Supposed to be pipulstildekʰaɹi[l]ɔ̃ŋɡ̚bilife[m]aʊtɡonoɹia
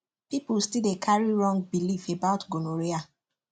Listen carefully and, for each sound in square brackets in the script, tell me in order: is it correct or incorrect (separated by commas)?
incorrect, incorrect